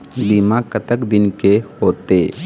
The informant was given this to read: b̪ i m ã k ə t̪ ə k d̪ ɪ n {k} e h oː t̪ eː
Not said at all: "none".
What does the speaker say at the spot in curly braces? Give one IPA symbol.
k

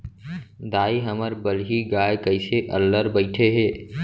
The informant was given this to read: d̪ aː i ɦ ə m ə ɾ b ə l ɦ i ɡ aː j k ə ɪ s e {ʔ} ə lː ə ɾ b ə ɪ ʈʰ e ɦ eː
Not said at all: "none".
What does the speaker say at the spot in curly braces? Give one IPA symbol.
ʔ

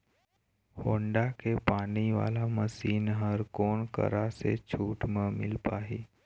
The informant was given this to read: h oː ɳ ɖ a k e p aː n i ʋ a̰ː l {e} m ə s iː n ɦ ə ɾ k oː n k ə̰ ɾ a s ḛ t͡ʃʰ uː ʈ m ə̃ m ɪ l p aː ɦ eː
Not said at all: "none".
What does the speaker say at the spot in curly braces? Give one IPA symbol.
a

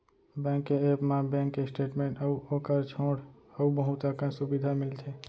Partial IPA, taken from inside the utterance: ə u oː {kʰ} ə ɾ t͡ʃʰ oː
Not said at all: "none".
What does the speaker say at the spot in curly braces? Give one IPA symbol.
k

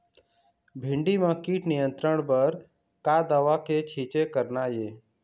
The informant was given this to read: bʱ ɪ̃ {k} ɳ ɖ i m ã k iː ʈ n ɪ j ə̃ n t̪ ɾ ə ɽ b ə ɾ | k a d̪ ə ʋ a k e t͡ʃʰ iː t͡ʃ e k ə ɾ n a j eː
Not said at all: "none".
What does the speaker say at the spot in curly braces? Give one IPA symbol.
none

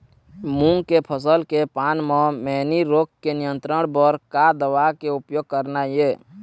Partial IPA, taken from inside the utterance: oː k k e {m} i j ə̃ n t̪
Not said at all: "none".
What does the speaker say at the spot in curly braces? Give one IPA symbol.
n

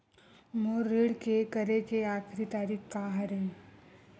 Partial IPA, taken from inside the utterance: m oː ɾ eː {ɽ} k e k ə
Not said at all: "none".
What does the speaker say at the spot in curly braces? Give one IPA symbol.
ɽ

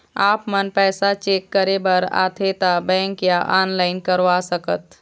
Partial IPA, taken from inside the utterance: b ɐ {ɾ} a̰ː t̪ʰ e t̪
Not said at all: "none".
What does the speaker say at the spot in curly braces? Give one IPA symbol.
ɾ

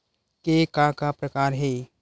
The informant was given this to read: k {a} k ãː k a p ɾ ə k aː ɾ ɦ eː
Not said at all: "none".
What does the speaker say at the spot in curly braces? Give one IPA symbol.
e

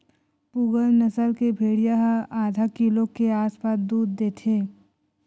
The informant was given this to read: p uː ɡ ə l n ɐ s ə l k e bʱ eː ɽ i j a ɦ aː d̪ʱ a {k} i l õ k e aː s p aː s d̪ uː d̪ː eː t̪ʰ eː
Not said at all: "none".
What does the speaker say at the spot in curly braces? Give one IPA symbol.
k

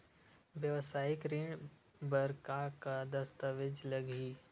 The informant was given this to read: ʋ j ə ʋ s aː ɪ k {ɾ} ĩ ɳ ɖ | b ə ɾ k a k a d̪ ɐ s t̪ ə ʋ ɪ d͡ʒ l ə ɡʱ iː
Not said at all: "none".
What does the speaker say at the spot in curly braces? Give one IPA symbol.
ɾ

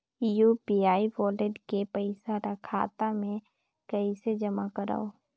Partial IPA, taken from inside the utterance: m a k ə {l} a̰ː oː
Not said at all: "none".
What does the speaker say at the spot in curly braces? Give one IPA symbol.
ɾ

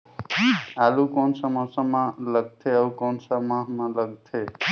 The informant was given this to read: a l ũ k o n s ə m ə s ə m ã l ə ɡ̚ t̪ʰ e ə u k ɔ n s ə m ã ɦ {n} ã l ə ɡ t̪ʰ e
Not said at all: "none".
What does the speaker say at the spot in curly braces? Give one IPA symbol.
m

